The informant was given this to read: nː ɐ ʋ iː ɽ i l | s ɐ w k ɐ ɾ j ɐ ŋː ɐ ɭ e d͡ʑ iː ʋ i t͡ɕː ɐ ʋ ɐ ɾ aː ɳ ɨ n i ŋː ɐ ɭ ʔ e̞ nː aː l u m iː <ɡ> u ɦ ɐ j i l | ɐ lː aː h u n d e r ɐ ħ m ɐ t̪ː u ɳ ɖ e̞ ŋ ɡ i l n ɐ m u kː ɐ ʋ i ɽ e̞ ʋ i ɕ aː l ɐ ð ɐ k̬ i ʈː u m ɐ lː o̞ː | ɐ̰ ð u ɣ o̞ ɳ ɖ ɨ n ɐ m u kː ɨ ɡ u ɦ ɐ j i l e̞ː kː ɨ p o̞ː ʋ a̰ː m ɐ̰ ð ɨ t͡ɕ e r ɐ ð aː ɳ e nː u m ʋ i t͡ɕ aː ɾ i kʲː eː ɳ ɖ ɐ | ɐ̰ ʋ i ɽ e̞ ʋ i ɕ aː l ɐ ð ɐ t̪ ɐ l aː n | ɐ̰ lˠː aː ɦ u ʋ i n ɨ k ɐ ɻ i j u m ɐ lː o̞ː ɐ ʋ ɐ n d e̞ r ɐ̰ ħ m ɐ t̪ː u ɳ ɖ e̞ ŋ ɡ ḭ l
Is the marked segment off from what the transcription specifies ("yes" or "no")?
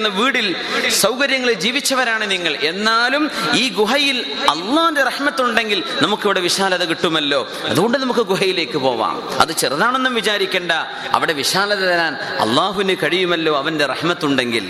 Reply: no